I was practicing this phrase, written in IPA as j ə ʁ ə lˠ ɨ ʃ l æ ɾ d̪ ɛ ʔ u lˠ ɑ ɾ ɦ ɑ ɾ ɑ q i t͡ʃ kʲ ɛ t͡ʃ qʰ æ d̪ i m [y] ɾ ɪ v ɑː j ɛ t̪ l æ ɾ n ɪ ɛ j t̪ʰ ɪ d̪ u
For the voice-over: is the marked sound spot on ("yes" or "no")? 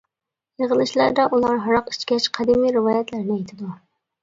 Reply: no